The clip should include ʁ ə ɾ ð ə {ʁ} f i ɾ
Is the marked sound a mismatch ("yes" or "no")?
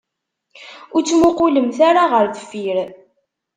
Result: yes